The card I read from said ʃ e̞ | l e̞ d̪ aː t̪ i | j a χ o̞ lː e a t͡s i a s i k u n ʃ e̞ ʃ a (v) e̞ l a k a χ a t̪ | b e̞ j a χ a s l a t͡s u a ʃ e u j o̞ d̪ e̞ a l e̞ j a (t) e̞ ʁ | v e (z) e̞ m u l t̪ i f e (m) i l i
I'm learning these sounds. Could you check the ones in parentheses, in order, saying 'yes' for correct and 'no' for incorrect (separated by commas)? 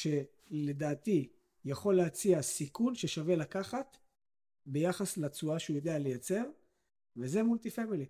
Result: yes, no, yes, yes